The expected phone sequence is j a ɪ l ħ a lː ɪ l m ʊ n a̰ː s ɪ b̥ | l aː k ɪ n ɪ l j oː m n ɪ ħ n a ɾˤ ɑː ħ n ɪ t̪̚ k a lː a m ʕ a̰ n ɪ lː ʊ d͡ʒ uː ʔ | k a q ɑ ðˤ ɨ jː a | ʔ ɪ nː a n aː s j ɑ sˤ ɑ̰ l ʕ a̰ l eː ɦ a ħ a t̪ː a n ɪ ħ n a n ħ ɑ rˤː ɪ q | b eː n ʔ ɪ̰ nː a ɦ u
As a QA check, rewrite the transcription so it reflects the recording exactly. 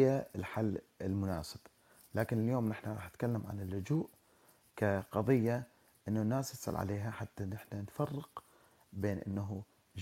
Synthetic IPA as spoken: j a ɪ l ħ a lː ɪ l m ʊ n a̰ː s ɪ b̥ | l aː k ɪ n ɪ l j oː m n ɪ ħ n a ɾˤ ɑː ħ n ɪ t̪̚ k a lː a m ʕ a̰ n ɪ lː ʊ d͡ʒ uː ʔ | k a q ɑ ðˤ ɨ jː a | ʔ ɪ nː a n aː s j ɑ sˤ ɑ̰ l ʕ a̰ l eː ɦ a ħ a t̪ː a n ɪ ħ n a n f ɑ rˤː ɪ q | b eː n ʔ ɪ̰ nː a ɦ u